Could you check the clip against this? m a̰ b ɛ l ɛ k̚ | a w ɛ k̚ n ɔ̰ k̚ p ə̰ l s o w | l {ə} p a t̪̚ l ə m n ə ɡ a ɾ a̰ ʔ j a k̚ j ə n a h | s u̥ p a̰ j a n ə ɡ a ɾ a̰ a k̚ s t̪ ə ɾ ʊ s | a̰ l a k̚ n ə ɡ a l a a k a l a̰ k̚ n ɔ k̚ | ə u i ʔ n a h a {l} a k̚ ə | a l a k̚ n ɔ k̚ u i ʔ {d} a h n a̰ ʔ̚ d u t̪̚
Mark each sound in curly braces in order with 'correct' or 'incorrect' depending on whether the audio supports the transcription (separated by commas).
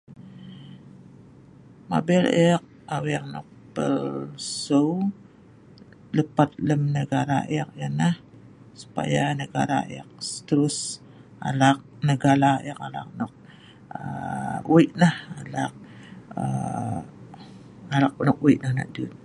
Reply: correct, correct, incorrect